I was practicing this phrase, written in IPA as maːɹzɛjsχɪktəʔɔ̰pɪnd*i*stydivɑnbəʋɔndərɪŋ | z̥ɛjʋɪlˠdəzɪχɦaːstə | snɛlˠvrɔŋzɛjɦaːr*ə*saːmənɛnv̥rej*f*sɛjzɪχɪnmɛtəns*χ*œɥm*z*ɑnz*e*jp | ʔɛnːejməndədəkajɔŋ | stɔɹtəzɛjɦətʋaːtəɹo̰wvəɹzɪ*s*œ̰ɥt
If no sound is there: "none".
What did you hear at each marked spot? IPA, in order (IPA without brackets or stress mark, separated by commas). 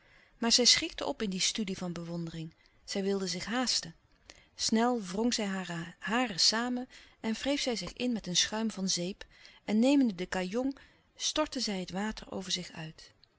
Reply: i, ə, f, χ, v, e, χ